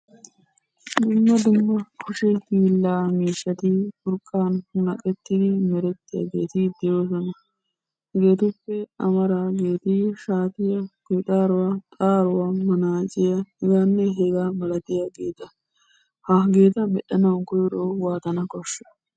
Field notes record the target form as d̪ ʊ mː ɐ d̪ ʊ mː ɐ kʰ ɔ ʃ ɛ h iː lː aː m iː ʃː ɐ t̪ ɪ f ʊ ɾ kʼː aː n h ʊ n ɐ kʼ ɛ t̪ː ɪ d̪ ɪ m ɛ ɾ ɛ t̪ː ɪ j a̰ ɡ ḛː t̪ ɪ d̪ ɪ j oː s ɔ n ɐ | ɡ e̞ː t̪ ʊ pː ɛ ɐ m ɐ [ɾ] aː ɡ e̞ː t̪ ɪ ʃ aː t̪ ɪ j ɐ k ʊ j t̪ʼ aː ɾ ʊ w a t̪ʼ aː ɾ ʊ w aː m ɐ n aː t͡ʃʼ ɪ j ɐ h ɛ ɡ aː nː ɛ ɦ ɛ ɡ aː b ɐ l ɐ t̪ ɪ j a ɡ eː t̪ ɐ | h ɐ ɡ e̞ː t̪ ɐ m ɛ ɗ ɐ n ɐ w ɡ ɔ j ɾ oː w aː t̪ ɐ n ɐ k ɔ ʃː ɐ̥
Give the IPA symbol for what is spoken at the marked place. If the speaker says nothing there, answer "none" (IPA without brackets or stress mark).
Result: ɾ